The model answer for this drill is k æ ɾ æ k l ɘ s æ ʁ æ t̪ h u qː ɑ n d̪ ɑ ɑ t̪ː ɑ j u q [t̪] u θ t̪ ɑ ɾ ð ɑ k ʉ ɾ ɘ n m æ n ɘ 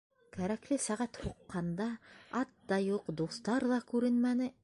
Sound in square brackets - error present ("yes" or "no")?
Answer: yes